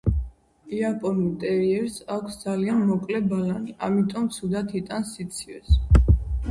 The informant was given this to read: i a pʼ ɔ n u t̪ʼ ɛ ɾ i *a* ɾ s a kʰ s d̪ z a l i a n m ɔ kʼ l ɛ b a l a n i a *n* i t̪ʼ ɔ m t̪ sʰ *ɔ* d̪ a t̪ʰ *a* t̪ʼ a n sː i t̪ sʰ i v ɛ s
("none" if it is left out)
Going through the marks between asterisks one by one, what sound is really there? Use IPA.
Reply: ɛ, m, u, i

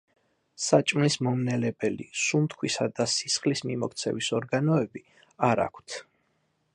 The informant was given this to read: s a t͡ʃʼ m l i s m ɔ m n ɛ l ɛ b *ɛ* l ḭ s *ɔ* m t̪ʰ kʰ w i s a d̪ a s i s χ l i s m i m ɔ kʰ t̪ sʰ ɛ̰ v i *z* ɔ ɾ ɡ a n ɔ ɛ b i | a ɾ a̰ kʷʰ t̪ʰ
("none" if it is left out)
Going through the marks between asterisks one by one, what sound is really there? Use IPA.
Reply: ɛ, u, s

